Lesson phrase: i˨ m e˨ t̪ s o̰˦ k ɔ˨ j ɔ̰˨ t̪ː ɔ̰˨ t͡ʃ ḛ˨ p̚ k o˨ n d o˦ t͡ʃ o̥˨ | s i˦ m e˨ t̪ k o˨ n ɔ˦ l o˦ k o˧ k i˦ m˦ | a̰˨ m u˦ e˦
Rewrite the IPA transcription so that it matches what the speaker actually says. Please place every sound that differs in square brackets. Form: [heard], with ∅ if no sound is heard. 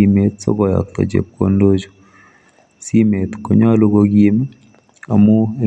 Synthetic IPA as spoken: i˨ m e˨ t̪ s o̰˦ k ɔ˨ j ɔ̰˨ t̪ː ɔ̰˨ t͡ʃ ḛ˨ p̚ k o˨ n d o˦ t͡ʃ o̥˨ | s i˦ m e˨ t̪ k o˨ [ɲ] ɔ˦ l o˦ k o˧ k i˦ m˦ | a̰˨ m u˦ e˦